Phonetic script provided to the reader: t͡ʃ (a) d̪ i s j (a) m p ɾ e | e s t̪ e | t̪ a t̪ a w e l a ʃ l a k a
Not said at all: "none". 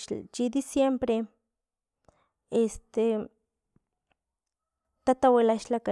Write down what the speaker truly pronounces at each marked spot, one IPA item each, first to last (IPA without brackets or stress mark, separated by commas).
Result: i, e